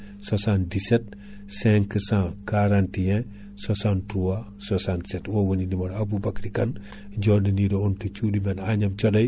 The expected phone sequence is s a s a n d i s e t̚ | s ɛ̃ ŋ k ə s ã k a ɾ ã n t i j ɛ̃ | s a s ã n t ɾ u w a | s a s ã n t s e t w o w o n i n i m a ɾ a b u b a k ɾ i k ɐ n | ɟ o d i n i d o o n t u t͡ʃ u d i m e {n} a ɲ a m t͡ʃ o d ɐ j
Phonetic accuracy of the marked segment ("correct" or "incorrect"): correct